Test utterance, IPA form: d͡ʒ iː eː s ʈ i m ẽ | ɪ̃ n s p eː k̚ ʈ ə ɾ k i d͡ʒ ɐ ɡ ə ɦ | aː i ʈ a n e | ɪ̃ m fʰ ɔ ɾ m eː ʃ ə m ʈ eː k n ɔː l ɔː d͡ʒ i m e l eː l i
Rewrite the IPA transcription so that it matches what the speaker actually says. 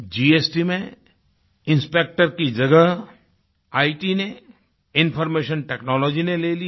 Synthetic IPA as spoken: d͡ʒ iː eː s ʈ i m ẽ | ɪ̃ n s p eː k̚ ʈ ə ɾ k i d͡ʒ ɐ ɡ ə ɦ | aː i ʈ i n e | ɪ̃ n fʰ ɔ ɾ m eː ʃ ə n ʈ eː k n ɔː l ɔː d͡ʒ i n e l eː l i